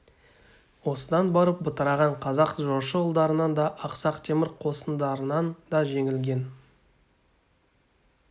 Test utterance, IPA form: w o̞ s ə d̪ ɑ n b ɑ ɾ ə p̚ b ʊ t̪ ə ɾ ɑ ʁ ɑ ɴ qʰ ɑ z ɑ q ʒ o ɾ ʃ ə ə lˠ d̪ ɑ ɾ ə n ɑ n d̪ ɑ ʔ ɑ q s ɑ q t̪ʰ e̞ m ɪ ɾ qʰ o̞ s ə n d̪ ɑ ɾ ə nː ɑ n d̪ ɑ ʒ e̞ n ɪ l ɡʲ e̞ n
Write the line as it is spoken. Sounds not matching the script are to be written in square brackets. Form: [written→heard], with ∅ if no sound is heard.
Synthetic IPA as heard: w o̞ s ə d̪ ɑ n b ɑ ɾ ə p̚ b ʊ t̪ ə ɾ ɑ ʁ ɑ ɴ qʰ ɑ z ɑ q ʒ o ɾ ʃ ə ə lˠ d̪ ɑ ɾ ə n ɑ n d̪ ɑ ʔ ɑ q s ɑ q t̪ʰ e̞ m ɪ ɾ qʰ o̞ s ə n d̪ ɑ ɾ ə [nː→n] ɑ n d̪ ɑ ʒ e̞ [n→ŋ] ɪ l ɡʲ e̞ n